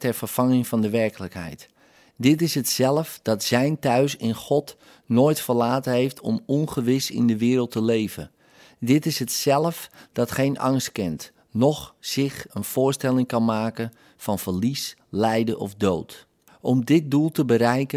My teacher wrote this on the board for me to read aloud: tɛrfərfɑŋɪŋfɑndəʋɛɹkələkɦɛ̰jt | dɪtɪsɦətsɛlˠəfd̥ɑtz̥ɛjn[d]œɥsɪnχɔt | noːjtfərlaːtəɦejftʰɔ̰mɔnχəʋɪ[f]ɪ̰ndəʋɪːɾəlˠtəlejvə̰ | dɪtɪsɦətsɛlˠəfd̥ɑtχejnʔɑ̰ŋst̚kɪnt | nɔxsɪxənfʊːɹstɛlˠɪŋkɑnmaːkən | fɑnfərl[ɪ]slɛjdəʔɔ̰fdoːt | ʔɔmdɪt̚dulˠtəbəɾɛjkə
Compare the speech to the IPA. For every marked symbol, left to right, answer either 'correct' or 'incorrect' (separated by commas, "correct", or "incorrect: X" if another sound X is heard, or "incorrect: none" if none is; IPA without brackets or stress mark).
incorrect: t, incorrect: s, incorrect: i